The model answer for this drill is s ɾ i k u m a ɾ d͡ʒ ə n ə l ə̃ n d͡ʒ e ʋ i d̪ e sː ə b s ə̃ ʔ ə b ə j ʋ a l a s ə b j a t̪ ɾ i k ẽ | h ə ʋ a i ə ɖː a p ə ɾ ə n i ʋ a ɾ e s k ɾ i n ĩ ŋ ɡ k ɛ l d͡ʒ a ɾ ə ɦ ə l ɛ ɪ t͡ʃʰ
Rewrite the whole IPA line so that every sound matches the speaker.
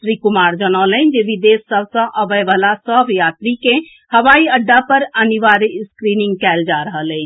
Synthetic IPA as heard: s ɾ i k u m a ɾ d͡ʒ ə n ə l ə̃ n d͡ʒ e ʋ i d̪ e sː ə b s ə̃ ʔ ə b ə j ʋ a l a s ə b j a t̪ ɾ i k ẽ | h ə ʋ a i ə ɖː a p ə ɾ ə n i ʋ a ɾ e s k ɾ i n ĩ ŋ ɡ k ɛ l d͡ʒ a ɾ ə ɦ ə l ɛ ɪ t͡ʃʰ